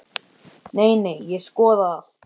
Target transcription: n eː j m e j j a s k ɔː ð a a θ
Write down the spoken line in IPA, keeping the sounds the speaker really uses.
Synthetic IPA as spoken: n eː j n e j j ɛ s k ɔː ð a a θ